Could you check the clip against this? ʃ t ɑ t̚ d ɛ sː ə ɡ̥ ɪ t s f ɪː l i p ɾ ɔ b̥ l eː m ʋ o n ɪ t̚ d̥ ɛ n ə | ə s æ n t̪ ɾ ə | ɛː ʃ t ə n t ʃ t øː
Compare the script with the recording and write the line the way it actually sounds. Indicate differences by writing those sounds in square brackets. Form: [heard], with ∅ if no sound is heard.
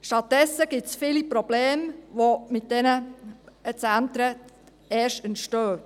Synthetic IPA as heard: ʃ t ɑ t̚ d ɛ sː ə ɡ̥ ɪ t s f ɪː l i p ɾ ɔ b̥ l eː m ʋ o [m] ɪ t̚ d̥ ɛ n ə | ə [t͡s] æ n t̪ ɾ ə | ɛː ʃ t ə n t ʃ t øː